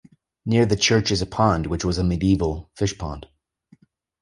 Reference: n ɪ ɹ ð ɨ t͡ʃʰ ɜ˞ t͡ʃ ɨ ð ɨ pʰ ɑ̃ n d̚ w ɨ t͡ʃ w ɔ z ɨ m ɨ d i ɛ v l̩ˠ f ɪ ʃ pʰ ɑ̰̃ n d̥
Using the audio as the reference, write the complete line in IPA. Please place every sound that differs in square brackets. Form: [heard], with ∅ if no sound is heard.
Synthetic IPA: n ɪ ɹ ð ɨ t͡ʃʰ ɜ˞ t͡ʃ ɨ [z] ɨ pʰ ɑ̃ n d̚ w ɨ t͡ʃ w [ʌ] z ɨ m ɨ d i [i] v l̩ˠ f ɪ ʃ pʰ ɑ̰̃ n d̥